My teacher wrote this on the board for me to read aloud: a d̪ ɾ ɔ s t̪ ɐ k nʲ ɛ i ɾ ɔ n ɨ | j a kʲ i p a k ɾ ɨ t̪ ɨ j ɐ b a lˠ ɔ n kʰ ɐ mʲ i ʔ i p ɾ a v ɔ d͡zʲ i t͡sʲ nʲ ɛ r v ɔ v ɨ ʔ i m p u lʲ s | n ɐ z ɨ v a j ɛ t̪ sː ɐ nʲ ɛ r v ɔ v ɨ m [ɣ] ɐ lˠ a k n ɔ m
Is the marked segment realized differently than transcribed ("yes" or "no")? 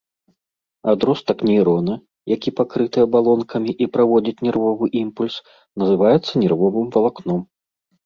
yes